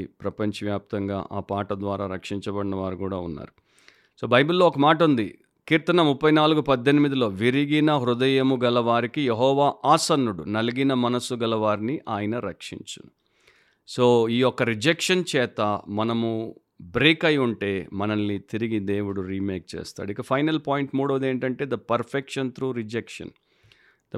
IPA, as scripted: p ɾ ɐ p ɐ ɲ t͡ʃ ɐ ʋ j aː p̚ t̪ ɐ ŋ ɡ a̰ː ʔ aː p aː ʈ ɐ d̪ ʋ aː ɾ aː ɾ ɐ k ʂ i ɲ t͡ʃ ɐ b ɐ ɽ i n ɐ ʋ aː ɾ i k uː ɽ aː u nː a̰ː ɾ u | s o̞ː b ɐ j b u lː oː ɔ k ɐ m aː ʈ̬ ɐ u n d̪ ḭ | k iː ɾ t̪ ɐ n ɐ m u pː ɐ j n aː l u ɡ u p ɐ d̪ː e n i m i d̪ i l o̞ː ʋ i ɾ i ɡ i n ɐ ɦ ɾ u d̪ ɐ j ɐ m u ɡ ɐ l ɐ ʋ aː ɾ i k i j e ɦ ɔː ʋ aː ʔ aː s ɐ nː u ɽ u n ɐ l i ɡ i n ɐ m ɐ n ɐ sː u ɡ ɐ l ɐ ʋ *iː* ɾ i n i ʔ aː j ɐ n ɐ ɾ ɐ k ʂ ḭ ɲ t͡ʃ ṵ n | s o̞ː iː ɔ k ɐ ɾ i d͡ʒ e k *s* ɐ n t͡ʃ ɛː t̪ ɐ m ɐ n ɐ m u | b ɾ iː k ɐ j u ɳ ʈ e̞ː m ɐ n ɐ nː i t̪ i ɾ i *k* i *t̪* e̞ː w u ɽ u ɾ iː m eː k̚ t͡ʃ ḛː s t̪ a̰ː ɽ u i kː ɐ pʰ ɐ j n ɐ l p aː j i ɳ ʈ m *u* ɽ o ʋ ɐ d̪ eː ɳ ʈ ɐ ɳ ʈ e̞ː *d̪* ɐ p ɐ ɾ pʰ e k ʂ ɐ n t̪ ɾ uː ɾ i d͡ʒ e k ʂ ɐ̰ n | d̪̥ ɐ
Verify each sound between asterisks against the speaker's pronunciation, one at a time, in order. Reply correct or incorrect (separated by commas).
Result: incorrect, incorrect, incorrect, incorrect, incorrect, correct